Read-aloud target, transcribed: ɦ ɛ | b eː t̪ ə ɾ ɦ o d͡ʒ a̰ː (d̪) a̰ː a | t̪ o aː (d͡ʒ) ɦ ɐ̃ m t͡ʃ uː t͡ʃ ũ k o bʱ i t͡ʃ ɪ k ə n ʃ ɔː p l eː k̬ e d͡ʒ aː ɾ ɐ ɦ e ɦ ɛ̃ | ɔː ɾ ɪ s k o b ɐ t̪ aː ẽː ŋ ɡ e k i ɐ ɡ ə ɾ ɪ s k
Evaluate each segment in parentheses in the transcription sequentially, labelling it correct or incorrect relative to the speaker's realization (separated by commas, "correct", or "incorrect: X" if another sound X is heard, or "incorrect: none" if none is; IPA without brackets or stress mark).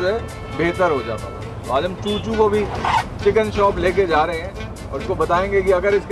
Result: incorrect: t̪, correct